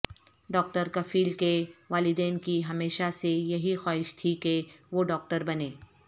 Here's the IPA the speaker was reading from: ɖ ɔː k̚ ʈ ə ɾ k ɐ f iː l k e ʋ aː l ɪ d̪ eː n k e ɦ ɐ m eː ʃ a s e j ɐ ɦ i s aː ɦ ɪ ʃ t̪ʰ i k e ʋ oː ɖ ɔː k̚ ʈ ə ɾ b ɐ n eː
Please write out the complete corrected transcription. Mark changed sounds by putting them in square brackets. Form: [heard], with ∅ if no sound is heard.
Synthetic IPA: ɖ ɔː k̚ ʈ ə ɾ k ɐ f iː l k e ʋ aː l ɪ d̪ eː n k [i] ɦ ɐ m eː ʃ a s e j ɐ ɦ i [x] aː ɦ ɪ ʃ t̪ʰ i k e ʋ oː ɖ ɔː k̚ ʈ ə ɾ b ɐ n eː